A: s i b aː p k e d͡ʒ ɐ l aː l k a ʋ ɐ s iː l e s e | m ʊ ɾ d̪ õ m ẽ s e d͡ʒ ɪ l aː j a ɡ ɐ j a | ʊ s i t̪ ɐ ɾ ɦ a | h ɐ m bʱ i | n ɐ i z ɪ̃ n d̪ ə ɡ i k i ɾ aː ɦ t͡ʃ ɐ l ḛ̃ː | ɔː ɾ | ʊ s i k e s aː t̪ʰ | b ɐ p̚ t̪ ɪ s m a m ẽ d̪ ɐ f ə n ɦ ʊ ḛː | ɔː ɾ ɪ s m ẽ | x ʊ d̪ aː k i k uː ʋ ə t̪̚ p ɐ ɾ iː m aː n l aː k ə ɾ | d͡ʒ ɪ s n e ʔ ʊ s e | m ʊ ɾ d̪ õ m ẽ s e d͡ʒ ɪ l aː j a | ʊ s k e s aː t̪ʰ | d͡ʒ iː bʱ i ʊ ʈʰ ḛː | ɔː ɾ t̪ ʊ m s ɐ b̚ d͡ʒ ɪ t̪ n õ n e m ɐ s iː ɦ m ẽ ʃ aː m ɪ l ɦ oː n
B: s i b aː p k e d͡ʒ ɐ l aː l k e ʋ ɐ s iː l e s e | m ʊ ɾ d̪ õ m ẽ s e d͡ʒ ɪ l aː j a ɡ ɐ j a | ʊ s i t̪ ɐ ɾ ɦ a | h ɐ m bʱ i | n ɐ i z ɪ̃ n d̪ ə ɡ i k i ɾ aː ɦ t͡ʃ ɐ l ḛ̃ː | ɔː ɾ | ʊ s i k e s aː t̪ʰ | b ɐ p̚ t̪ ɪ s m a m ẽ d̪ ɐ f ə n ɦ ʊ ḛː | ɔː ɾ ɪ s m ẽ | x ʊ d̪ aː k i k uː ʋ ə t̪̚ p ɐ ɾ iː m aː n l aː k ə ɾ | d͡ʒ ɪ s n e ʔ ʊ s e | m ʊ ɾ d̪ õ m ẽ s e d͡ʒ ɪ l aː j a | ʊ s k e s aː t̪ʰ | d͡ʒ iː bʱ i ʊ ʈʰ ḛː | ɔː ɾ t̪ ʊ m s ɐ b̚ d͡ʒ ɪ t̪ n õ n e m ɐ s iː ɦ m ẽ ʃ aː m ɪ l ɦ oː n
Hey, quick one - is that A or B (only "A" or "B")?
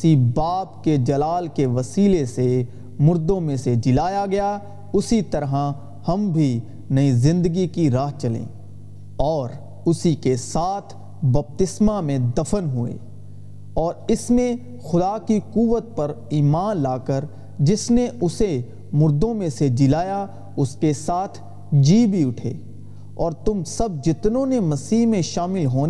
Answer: B